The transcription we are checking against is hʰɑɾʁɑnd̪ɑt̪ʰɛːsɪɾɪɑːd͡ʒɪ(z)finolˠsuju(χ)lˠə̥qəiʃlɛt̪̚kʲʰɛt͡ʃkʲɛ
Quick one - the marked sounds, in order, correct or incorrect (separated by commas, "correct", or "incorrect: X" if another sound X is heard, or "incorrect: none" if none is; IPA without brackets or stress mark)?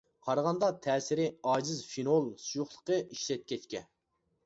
correct, correct